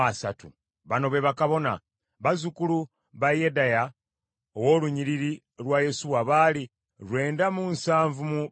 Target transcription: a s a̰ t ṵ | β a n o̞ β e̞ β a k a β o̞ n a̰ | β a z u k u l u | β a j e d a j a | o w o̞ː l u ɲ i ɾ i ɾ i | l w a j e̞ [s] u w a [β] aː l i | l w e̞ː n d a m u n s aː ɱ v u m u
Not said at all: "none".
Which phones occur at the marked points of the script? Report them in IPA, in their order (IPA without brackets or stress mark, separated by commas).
s, β